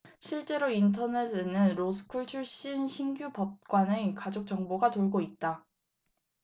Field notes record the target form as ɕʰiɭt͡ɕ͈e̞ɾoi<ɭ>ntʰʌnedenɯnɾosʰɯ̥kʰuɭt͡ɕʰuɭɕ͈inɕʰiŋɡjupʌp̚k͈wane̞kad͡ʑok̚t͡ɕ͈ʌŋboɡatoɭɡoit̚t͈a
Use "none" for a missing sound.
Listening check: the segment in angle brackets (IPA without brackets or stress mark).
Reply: none